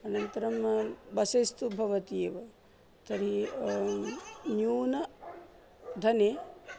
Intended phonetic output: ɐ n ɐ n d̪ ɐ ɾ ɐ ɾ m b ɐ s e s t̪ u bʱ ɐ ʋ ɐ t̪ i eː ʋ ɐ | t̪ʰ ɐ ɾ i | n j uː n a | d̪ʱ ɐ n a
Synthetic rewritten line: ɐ n ɐ n t̪ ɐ ɾ ɐ m b ɐ s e s t̪ u bʱ ɐ ʋ ɐ t̪ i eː ʋ ɐ | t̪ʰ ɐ ɾ i | n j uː n ɐ | d̪ʱ ɐ n e